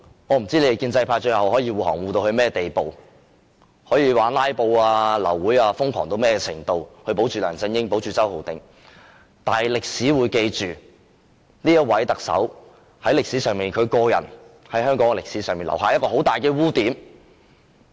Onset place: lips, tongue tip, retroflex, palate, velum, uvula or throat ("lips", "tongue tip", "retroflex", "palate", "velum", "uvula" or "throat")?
velum